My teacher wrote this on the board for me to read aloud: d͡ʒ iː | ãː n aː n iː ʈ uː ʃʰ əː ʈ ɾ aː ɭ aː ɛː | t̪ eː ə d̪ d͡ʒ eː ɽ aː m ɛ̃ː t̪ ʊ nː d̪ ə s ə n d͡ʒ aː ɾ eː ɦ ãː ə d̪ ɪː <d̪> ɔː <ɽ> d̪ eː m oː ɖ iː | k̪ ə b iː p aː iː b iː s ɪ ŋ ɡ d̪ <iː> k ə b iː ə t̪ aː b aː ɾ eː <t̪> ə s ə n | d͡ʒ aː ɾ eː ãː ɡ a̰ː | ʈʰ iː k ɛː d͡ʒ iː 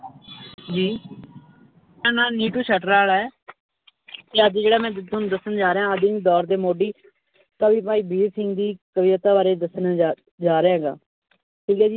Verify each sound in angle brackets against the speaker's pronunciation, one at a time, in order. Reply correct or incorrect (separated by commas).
correct, incorrect, correct, incorrect